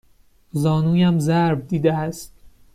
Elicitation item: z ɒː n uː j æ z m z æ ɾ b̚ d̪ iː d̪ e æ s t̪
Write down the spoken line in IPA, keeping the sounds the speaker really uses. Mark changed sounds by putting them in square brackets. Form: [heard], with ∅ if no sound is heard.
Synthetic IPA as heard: z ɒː n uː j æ [∅] m z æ ɾ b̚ d̪ iː d̪ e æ s t̪